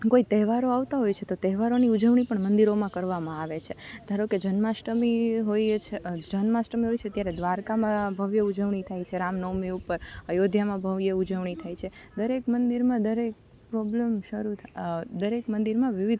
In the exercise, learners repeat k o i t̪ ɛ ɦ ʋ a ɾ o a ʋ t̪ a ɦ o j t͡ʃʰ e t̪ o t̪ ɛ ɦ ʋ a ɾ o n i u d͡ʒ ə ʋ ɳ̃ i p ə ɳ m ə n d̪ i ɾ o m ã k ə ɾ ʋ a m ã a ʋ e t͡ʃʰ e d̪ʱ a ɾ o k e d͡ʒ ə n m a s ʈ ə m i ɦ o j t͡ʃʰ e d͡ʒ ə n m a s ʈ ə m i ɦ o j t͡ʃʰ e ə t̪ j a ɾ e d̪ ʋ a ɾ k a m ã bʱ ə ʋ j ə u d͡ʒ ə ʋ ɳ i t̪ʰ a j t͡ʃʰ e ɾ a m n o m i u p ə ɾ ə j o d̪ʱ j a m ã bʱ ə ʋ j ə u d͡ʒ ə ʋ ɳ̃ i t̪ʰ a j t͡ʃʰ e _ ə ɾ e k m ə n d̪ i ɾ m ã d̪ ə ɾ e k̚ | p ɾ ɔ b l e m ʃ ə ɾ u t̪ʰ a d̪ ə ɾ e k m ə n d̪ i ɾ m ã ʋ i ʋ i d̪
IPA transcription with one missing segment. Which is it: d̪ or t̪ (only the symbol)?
d̪